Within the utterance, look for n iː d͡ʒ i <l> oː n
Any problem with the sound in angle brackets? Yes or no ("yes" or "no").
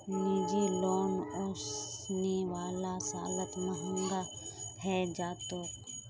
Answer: no